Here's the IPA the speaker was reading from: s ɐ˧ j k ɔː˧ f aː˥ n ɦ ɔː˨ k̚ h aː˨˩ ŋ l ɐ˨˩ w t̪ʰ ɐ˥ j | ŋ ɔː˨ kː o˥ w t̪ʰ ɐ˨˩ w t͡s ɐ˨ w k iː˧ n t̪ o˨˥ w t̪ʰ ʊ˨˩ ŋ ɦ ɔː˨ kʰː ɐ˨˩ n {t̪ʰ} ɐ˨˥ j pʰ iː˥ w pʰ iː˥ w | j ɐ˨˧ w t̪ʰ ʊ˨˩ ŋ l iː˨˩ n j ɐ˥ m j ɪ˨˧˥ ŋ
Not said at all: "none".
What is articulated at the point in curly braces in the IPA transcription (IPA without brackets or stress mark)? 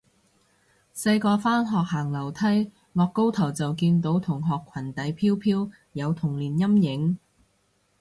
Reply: t̪